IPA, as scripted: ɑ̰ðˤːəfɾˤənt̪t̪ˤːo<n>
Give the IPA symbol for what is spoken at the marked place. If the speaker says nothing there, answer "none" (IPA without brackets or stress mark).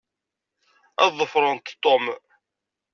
m